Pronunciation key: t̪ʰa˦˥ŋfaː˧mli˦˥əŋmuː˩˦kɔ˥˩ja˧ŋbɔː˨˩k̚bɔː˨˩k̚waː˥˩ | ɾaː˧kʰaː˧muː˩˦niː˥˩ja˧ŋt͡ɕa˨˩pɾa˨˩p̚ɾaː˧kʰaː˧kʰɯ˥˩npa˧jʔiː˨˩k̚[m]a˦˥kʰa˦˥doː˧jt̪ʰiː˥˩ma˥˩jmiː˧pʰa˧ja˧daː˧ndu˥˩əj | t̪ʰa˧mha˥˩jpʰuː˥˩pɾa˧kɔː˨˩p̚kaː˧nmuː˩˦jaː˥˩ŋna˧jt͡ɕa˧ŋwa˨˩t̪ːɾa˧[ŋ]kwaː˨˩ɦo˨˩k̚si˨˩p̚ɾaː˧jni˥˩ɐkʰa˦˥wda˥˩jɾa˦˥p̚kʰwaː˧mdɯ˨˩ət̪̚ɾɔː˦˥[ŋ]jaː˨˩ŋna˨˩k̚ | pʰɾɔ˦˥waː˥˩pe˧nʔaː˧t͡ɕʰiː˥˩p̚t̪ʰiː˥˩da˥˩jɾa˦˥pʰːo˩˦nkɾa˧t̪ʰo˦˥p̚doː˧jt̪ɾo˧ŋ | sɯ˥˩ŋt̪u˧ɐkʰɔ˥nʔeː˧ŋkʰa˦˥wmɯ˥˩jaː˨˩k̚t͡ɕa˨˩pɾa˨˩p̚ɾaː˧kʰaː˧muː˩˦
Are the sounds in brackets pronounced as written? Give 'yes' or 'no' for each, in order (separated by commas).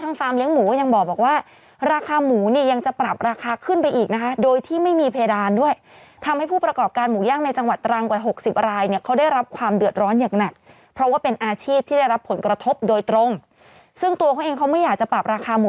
no, yes, no